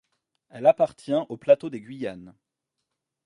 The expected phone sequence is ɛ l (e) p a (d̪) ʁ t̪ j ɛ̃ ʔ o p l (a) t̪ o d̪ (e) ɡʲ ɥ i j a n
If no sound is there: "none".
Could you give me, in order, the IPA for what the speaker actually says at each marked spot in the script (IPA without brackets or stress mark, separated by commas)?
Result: a, none, a, e